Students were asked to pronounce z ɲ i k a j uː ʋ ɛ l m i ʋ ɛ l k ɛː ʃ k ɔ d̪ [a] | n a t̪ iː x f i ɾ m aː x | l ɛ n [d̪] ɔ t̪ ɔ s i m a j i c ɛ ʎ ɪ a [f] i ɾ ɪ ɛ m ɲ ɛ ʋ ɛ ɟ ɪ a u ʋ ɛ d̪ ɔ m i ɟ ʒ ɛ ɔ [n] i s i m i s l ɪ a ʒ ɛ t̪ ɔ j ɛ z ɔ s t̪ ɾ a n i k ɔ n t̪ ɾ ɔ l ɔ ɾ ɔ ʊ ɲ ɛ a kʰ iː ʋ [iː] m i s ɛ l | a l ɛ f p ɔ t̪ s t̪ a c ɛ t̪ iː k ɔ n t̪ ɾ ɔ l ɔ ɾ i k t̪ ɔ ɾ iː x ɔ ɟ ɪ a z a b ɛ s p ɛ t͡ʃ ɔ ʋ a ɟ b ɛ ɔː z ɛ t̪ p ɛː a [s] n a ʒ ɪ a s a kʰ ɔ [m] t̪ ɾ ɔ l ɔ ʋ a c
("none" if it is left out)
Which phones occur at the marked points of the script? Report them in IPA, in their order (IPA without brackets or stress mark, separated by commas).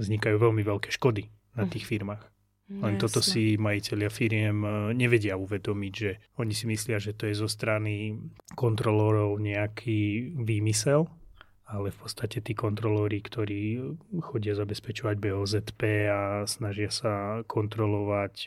i, t̪, f, ɲ, iː, s, n